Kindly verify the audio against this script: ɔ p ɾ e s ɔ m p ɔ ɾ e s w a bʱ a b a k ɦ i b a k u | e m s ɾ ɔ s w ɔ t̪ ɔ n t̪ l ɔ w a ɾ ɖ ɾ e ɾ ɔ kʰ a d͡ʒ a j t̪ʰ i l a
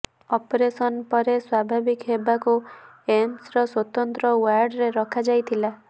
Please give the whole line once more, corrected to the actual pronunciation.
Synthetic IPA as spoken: ɔ p ɾ e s ɔ n p ɔ ɾ e s w a bʱ a b i k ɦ e b a k u | e m s ɾ ɔ s w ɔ t̪ ɔ n t̪ ɾ ɔ w a ɾ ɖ ɾ e ɾ ɔ kʰ a d͡ʒ a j t̪ʰ i l a